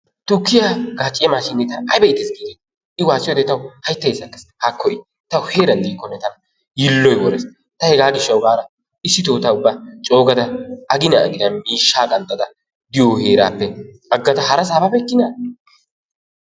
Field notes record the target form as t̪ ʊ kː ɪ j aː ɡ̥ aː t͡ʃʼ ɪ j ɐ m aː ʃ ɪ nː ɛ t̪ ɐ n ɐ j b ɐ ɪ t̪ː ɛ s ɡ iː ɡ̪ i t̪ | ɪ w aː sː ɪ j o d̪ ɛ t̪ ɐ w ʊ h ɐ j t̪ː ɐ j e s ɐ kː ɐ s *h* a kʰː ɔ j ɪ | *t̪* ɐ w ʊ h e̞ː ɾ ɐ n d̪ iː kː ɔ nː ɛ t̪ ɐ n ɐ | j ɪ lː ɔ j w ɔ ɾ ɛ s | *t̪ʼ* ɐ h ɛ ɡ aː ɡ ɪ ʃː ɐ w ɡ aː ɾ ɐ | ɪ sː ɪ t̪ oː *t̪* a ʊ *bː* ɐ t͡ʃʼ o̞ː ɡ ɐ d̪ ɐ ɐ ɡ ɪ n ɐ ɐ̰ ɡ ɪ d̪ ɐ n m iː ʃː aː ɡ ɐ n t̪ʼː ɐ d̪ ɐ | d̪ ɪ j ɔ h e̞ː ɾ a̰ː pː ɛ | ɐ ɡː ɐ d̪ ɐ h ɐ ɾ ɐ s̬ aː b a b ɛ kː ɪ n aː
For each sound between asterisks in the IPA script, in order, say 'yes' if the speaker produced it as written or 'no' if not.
yes, yes, no, yes, yes

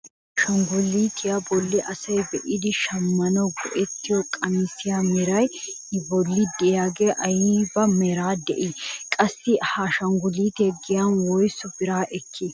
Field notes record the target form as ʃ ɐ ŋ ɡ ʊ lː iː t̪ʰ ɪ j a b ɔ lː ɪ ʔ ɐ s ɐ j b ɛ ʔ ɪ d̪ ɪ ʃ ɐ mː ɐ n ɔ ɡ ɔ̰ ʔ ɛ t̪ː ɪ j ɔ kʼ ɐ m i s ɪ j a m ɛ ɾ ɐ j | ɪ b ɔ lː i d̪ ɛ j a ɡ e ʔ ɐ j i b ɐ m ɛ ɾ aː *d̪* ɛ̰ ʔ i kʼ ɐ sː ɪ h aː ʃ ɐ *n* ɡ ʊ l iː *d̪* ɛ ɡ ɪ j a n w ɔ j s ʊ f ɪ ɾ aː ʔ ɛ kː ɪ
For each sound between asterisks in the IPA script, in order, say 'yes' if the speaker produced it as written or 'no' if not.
yes, no, no

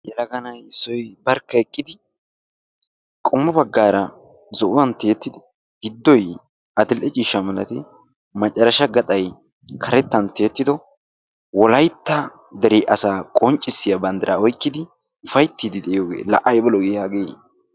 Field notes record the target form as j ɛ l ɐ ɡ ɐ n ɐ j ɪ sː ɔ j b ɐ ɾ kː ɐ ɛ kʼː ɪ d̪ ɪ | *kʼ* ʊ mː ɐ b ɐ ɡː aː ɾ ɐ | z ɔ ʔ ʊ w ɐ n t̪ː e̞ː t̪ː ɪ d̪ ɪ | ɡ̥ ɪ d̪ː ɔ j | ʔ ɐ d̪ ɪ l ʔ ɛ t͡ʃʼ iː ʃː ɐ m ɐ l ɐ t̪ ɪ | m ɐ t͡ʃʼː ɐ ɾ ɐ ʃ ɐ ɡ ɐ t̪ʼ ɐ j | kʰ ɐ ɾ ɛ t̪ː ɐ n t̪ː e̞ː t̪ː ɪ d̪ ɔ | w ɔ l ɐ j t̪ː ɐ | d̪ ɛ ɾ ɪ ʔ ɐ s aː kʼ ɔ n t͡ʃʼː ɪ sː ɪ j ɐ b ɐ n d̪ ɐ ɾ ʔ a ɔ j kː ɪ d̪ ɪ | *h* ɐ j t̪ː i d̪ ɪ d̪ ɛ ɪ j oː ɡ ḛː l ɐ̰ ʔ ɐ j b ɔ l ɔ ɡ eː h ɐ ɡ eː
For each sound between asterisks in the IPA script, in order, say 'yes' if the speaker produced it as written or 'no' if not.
yes, no

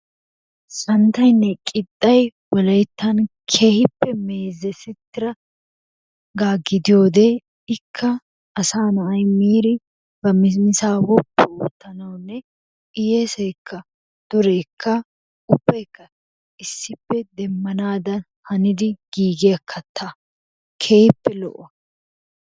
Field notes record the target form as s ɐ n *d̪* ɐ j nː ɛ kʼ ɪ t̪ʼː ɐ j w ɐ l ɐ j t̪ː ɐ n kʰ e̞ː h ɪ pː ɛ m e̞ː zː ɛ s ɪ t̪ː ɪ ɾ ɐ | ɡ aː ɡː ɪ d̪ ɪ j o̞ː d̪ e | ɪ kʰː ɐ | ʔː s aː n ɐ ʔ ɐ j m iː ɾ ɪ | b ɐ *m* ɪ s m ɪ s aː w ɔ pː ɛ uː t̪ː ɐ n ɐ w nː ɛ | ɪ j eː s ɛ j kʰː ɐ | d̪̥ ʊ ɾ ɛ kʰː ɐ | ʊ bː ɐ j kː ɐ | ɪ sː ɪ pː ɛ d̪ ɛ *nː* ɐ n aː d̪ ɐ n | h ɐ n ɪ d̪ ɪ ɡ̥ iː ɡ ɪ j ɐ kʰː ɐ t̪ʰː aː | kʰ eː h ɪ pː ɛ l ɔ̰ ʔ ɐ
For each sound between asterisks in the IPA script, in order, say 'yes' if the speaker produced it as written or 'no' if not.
no, yes, no

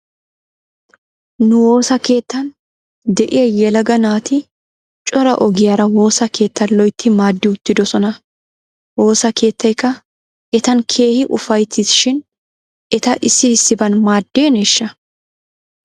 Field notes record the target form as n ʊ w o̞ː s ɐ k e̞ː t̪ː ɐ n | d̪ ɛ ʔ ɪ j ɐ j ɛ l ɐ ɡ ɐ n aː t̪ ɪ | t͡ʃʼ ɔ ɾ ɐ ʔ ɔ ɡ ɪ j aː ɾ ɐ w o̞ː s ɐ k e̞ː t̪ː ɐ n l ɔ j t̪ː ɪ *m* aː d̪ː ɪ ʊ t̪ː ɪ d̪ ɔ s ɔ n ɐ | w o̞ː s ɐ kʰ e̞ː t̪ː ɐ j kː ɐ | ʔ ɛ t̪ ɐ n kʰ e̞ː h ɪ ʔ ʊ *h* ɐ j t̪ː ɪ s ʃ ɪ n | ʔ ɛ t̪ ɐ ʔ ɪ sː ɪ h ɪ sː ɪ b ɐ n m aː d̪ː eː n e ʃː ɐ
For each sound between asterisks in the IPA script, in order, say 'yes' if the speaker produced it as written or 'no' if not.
yes, no

